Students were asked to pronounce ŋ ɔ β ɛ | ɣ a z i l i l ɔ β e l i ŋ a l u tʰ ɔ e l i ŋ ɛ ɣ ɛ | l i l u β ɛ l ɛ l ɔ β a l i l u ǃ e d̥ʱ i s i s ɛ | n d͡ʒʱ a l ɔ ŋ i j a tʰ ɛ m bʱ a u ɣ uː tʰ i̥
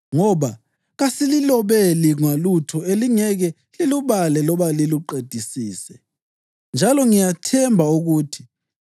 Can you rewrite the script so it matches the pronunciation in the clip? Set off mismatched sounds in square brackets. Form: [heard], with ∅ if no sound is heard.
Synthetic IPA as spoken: ŋ ɔ β [a] | ɣ a [s] i l i l ɔ β e l i ŋ a l u tʰ ɔ e l i ŋ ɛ ɣ ɛ | l i l u β [a] l ɛ l ɔ β a l i l u ǃ e d̥ʱ i s [iː] s ɛ | n d͡ʒʱ a l ɔ ŋ i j a tʰ ɛ m bʱ a u ɣ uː tʰ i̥

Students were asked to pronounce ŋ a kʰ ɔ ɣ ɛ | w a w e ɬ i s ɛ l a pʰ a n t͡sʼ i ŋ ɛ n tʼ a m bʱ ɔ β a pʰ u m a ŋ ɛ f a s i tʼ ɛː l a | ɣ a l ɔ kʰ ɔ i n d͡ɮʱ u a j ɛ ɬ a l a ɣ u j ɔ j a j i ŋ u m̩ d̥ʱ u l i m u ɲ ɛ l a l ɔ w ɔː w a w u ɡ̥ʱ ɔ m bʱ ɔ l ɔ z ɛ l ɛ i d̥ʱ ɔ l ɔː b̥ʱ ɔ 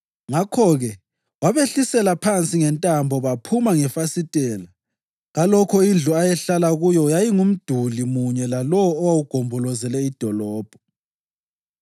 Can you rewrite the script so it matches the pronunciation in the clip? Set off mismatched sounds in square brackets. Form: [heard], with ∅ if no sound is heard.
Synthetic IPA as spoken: ŋ a kʰ ɔ ɣ ɛ | w a [β] e ɬ i s ɛ l a pʰ a n t͡sʼ i ŋ ɛ n tʼ a m bʱ ɔ β a pʰ u m a ŋ ɛ f a s i tʼ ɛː l a | ɣ a l ɔ kʰ ɔ i n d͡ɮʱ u a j ɛ ɬ a l a ɣ u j ɔ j a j i ŋ u m̩ d̥ʱ u l i m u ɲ ɛ l a l ɔ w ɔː w a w u ɡ̥ʱ ɔ m bʱ ɔ l ɔ z ɛ l ɛ i d̥ʱ ɔ l ɔː b̥ʱ ɔ

